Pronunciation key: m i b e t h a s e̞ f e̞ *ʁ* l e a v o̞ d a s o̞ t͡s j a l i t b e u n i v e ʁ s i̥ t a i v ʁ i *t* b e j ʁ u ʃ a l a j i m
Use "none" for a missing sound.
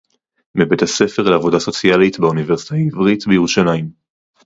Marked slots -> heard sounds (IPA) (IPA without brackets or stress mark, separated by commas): ʁ, t